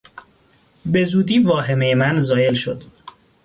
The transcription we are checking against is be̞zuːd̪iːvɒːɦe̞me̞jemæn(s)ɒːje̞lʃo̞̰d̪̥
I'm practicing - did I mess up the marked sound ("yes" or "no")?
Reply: yes